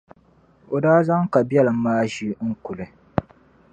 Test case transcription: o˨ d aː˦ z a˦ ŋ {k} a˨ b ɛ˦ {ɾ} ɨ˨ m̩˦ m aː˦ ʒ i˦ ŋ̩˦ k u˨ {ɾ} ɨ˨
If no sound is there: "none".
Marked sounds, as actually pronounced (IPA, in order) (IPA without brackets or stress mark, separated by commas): k, l, l